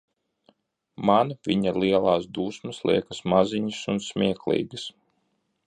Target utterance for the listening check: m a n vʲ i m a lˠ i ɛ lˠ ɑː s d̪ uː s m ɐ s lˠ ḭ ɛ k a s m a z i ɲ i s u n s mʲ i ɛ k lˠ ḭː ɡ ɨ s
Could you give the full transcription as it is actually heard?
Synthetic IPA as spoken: m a n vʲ i ɲ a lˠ i ɛ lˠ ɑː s d̪ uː s m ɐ s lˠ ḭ ɛ k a s m a z i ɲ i s u n s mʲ i ɛ k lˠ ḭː ɡ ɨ s